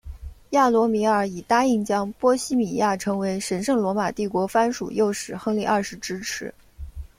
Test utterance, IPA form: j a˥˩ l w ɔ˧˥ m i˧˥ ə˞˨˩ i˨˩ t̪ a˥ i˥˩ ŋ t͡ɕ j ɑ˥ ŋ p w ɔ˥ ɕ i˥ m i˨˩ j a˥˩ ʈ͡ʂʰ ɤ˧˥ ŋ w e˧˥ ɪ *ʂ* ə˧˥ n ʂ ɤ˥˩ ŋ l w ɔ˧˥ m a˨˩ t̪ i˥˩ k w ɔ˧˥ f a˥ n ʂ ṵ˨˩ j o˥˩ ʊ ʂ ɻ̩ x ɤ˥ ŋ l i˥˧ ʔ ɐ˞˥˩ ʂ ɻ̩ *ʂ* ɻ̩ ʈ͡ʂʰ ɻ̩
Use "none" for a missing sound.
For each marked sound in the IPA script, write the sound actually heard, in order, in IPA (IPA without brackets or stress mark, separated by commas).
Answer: ʂ, ʈ͡ʂ